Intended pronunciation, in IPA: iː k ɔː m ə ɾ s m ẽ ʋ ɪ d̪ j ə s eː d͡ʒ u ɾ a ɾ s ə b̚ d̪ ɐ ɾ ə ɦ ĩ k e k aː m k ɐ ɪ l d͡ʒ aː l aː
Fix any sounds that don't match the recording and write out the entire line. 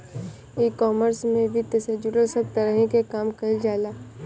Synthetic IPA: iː k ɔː m ə ɾ s m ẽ ʋ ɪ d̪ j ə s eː d͡ʒ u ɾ ə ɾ s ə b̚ t̪ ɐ ɾ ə ɦ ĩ k e k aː m k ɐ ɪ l d͡ʒ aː l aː